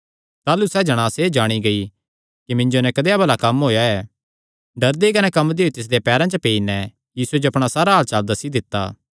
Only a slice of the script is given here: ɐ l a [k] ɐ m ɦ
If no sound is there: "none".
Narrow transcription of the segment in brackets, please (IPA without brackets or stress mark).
k